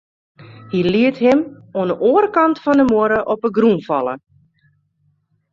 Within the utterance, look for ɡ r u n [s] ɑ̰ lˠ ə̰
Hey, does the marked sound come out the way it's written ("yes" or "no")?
no